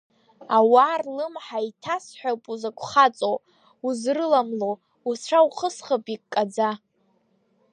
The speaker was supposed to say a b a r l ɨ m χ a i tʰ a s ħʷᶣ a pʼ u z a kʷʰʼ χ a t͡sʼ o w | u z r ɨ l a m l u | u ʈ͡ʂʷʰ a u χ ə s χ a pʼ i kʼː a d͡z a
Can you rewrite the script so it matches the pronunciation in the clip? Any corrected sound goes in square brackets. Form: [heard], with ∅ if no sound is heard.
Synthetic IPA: a [w] a r l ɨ m [ħ] a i tʰ a s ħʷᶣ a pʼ u z a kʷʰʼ χ a t͡sʼ o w | u z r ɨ l a m l [o] | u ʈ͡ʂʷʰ a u χ ə s χ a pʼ i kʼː a d͡z a

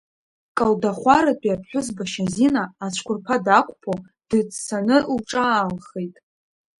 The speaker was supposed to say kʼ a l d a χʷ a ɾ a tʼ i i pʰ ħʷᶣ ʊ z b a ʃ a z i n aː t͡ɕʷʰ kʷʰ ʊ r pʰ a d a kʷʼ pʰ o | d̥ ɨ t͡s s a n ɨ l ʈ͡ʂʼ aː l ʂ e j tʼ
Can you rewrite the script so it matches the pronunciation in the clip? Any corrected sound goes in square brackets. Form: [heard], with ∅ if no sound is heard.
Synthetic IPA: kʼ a l d a χʷ a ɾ a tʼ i [a] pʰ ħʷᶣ ʊ z b a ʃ a z i n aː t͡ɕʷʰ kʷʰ ʊ r pʰ a d a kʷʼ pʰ o | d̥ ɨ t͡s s a n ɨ l ʈ͡ʂʼ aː l [χ] e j tʼ

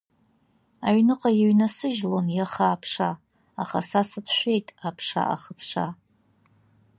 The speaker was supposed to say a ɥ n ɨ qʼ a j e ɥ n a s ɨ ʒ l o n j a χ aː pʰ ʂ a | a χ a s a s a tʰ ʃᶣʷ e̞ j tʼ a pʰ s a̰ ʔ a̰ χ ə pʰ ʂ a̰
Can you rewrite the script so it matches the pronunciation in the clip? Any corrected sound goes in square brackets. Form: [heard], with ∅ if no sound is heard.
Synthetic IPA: a ɥ n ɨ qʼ a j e ɥ n a s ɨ ʒ l o n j a χ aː pʰ ʂ a | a χ a s a s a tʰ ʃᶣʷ e̞ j tʼ a pʰ [ʂ] a̰ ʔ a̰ χ ə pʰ ʂ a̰

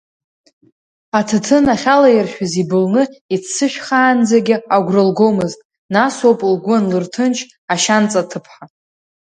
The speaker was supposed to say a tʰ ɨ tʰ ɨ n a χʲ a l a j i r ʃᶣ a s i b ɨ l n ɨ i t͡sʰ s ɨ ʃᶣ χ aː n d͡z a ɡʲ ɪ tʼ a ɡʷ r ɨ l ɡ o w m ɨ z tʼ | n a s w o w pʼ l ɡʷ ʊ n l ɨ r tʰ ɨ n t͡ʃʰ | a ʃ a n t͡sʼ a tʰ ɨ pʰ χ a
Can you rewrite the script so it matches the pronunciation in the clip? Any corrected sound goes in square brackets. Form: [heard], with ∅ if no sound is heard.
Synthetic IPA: a tʰ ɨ tʰ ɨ n a χʲ a l a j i r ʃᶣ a [z] i b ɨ l n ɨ i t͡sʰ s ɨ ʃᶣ χ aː n d͡z a ɡʲ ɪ [∅] a ɡʷ r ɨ l ɡ o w m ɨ z tʼ | n a s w o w pʼ l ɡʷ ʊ n l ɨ r tʰ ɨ n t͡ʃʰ | a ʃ a n t͡sʼ a tʰ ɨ pʰ [ħ] a

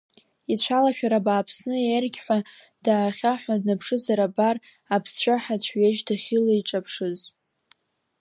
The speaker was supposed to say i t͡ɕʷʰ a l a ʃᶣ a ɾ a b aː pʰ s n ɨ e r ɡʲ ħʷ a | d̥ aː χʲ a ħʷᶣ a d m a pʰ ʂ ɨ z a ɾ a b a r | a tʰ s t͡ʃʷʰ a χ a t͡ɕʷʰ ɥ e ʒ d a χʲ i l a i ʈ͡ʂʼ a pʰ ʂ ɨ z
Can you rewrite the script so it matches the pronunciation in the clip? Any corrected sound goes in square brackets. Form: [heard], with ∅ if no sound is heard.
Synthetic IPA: i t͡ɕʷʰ a l a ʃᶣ a ɾ a b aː pʰ s n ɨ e r ɡʲ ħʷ a | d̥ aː χʲ a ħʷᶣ a d [n] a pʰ ʂ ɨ z a ɾ a b a r | a [pʰ] s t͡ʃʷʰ a [ħ] a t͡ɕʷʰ ɥ e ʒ d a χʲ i l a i ʈ͡ʂʼ a pʰ ʂ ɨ z

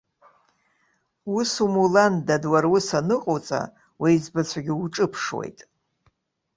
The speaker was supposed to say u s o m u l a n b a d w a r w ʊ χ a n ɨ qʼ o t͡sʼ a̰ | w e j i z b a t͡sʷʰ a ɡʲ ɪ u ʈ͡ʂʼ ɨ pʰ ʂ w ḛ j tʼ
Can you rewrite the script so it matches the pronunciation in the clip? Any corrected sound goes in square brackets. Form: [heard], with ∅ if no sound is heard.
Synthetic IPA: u s [u] m u l a n [d] a d w a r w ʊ [s] a n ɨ qʼ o t͡sʼ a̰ | w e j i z b a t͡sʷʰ a ɡʲ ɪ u ʈ͡ʂʼ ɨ pʰ ʂ w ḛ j tʼ

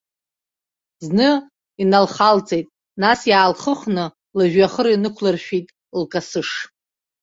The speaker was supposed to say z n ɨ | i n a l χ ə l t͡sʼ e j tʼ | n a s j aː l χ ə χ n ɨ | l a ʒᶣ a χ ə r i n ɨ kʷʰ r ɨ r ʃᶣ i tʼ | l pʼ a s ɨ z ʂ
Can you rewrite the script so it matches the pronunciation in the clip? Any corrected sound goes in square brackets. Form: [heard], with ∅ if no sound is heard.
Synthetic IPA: z n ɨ | i n a l χ [a] l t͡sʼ e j tʼ | n a s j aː l χ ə χ n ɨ | l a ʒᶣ a χ ə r i n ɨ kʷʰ [l] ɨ r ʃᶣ i tʼ | l [kʼ] a s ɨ [∅] ʂ

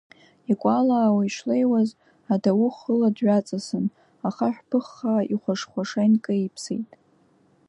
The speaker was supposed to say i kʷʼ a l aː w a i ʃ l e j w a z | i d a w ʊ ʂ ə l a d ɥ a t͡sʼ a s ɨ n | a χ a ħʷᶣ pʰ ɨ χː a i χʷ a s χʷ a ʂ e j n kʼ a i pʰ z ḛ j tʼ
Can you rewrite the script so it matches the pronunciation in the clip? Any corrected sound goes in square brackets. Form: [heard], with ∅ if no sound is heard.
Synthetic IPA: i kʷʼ a l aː w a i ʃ l e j w a z | [a] d a w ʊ [χ] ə l a d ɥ a t͡sʼ a s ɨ n | a χ a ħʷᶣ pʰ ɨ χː a i χʷ a [ʂ] χʷ a ʂ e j n kʼ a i pʰ [s] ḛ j tʼ

